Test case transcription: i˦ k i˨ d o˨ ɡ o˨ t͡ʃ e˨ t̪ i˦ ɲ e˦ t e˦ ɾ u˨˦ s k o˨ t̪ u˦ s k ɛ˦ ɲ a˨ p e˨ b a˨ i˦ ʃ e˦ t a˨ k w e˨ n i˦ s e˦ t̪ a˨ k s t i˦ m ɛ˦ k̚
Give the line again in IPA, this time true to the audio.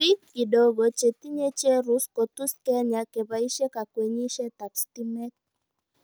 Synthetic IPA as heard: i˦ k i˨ d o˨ ɡ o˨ t͡ʃ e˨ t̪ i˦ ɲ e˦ t͡ʃ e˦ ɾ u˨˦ s k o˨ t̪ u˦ s k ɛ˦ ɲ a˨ k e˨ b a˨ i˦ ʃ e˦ k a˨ k w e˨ ɲ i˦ ʃ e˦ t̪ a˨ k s t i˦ m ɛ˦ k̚